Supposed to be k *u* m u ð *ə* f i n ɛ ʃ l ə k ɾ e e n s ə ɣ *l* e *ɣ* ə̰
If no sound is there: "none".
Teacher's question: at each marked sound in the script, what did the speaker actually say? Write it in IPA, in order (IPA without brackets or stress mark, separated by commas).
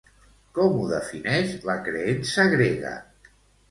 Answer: ɔ, ə, ɾ, ɣ